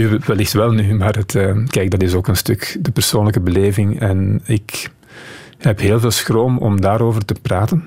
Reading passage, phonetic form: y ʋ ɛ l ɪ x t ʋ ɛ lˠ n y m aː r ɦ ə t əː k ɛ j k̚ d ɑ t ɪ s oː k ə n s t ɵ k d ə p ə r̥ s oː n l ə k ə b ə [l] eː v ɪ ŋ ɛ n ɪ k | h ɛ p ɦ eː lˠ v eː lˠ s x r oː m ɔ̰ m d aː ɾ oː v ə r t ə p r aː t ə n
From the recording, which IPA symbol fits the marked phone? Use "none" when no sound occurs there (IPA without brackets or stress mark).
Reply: l